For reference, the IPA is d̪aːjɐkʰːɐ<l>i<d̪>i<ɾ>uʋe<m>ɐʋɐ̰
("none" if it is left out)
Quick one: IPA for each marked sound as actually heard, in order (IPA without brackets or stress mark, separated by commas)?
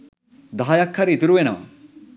ɾ, t̪, ɾ, n